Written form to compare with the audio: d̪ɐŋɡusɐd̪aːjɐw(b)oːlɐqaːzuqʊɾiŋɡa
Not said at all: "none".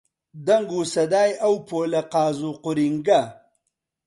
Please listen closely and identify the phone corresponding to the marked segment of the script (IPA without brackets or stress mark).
p